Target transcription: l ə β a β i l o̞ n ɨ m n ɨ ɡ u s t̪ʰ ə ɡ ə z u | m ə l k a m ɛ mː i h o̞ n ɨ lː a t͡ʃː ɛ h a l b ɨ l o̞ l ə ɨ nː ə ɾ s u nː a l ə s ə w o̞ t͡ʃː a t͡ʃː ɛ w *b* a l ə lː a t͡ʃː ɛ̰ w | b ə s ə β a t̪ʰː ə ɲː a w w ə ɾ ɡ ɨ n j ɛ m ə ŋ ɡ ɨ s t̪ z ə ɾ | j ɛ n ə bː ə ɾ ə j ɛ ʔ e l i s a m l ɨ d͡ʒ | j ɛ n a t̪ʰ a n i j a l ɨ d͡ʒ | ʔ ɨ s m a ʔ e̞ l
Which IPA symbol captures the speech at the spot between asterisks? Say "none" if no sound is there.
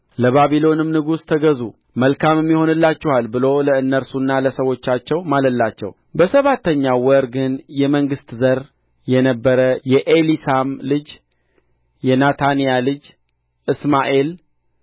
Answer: m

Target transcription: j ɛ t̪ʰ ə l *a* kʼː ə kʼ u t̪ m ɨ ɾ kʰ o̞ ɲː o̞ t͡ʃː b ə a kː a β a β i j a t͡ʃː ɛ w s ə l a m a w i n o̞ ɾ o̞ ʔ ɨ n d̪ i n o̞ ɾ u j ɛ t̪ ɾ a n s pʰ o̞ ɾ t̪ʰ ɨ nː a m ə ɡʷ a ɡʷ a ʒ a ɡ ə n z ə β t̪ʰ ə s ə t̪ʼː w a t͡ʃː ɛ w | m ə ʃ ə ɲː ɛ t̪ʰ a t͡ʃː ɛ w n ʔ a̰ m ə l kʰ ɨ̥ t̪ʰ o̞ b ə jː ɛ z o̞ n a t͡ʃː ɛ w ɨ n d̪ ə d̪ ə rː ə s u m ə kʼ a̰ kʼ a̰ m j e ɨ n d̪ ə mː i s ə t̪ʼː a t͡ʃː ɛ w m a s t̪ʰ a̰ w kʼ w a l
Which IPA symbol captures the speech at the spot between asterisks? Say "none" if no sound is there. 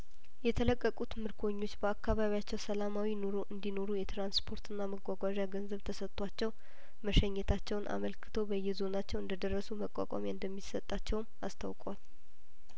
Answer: ə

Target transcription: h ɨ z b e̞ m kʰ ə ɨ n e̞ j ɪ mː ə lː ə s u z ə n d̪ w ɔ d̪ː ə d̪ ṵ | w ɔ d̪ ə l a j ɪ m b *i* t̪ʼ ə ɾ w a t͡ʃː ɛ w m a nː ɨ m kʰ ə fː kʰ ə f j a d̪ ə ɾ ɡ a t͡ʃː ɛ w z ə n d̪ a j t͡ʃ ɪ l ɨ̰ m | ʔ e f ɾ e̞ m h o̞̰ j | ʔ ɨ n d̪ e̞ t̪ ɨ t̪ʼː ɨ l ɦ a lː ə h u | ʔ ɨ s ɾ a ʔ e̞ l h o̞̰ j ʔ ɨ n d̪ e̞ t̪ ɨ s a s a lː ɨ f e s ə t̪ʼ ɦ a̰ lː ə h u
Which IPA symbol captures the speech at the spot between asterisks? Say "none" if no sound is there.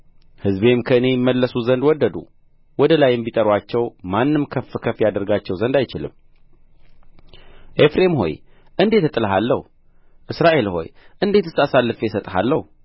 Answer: i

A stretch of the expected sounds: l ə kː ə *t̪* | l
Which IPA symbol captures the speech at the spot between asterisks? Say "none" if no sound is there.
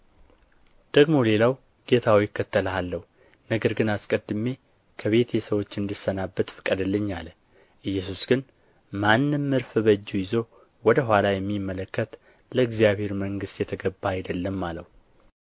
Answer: t̪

